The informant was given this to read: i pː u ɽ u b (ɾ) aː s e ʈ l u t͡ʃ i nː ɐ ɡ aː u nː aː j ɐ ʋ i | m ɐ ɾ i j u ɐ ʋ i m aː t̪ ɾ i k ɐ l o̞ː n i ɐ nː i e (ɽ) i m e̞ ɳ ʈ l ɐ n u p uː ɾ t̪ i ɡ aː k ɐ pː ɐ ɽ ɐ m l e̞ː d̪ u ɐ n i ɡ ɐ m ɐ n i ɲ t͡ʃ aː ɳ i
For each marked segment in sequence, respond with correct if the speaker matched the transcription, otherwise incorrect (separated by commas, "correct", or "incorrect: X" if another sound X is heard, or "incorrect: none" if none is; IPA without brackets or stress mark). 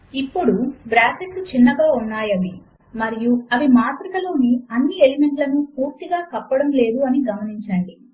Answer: correct, incorrect: l